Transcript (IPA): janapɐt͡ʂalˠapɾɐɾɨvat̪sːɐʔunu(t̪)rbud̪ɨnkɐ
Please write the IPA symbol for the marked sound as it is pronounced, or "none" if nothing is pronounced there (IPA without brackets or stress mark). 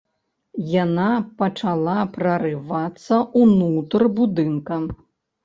t̪